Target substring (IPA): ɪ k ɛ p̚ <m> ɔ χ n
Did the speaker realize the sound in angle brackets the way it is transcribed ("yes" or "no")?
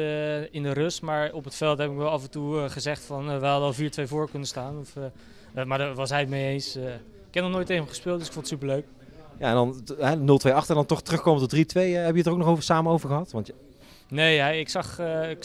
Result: no